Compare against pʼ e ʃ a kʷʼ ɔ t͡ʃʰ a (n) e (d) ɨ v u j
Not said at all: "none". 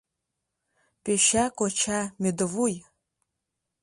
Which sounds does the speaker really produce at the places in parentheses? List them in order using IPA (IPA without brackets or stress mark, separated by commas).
m, d